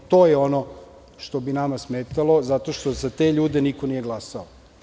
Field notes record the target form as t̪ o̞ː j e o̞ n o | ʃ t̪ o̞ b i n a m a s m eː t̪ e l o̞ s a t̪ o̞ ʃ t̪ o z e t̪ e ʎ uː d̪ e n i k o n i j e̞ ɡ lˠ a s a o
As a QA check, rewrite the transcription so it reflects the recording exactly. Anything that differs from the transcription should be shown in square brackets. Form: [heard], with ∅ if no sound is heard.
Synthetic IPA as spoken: t̪ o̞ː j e o̞ n o | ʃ t̪ o̞ b i n a m a s m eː t̪ [a] l o̞ [z] a t̪ o̞ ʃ t̪ o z [a] t̪ e ʎ uː d̪ e n i k o n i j e̞ ɡ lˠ a s a o